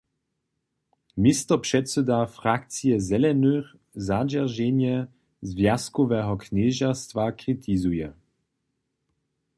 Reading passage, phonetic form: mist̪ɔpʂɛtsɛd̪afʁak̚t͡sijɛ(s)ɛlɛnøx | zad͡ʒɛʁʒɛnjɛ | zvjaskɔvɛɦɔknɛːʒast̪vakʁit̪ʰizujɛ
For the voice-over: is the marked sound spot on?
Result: no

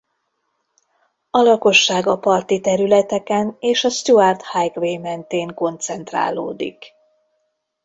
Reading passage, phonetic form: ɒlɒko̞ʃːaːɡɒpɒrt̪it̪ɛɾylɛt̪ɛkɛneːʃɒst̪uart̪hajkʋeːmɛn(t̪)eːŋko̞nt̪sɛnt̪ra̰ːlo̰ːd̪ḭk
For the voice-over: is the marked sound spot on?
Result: yes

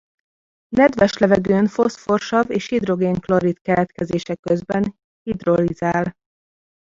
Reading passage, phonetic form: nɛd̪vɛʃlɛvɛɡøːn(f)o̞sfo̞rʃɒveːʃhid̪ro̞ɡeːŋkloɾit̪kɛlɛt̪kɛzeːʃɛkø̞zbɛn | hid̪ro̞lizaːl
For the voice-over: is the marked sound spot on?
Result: yes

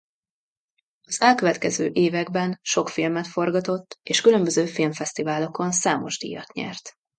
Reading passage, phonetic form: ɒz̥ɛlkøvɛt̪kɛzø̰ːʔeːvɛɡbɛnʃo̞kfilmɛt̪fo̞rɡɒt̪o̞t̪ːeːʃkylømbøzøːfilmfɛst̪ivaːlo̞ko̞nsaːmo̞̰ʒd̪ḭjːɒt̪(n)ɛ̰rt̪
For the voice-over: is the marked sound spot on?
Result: no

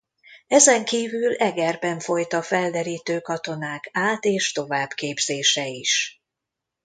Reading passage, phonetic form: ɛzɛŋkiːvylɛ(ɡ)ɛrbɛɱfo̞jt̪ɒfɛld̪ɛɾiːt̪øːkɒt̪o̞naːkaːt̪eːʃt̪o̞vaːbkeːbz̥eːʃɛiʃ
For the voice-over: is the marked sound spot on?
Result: yes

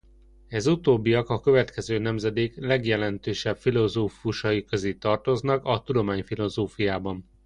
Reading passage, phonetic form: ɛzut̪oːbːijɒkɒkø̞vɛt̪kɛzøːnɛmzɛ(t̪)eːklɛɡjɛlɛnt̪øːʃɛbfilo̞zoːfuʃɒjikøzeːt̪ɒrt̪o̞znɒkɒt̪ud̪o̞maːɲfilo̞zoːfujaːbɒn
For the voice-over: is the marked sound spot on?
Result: no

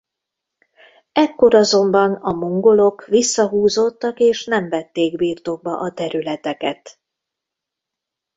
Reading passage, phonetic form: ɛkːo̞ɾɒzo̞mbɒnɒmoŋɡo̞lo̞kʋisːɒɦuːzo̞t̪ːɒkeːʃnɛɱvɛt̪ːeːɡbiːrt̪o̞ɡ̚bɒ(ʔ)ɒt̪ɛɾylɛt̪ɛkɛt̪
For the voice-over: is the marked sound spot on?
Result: yes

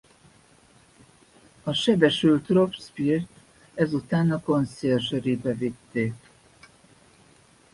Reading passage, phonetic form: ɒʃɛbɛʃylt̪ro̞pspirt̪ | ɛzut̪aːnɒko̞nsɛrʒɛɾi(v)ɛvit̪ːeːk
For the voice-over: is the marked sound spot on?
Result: no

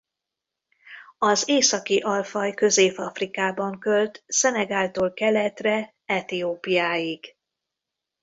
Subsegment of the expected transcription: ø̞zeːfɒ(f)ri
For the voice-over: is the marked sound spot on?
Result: yes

